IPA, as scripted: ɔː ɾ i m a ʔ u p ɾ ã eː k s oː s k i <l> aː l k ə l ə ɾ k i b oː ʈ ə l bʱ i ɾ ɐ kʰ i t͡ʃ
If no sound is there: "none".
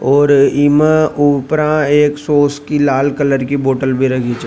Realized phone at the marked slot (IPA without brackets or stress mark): l